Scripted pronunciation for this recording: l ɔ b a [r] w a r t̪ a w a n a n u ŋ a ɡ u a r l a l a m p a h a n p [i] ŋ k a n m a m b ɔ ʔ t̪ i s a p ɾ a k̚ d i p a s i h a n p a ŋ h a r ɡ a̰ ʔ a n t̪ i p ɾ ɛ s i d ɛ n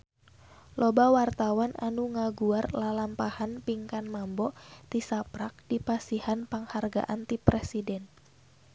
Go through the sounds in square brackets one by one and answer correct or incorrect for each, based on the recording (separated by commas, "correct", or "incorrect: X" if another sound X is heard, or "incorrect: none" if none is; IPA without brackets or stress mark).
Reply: incorrect: none, correct